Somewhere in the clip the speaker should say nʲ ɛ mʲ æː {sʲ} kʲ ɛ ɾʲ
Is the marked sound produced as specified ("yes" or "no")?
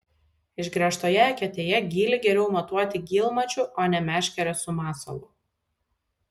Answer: no